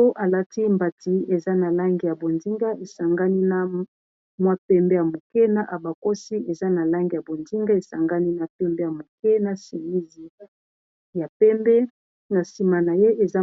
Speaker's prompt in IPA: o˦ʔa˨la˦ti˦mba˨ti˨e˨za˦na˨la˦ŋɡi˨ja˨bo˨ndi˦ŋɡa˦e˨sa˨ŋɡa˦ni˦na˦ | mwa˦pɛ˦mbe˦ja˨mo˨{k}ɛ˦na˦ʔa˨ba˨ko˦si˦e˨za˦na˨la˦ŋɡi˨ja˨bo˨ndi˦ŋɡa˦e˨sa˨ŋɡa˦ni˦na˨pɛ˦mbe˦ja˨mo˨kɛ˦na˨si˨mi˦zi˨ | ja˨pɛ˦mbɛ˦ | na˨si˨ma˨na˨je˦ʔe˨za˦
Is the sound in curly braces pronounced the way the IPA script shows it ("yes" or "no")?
yes